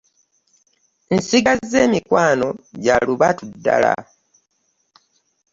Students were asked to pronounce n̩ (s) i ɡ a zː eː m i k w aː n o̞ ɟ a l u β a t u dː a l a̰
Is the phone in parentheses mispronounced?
no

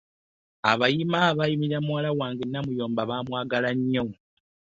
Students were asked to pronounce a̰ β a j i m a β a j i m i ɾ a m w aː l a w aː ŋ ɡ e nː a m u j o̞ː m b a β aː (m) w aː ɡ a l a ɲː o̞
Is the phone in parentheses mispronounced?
no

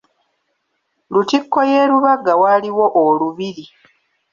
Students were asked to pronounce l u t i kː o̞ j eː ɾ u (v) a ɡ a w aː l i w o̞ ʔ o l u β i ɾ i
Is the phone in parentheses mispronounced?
yes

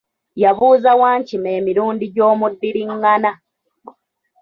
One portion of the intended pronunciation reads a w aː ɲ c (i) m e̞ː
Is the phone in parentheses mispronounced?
no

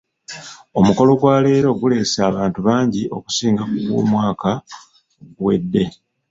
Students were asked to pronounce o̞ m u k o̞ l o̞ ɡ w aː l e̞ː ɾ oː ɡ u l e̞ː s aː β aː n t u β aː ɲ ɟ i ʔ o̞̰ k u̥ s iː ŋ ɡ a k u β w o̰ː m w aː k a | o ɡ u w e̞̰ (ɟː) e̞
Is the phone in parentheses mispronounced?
yes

